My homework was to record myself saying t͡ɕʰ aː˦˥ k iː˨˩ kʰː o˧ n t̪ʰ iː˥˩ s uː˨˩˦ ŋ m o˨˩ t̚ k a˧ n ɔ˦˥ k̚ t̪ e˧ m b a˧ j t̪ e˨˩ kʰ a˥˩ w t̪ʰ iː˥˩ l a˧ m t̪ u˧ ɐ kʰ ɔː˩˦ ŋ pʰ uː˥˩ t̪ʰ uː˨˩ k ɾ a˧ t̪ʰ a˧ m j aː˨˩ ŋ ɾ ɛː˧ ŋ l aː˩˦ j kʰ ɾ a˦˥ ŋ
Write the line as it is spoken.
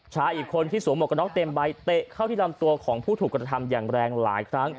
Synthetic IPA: t͡ɕʰ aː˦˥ ʔ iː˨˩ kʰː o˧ n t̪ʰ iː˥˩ s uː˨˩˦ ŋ m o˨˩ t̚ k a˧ n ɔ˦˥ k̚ t̪ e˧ m b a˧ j t̪ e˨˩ kʰ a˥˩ w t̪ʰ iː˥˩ l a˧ m t̪ u˧ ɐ kʰ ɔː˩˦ ŋ pʰ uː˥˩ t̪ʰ uː˨˩ k ɾ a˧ t̪ʰ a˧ m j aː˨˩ ŋ ɾ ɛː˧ ŋ l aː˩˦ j kʰ ɾ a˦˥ ŋ